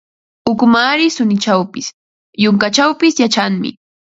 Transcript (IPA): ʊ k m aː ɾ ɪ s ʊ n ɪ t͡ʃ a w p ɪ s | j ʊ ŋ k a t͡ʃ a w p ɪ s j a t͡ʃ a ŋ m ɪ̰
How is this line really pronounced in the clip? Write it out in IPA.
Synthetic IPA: ʊ k m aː ɾ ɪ s ʊ n ɪ t͡ʃ a w p ɪ s | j ʊ ŋ k a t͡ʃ a w p ɪ s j a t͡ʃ a ŋ m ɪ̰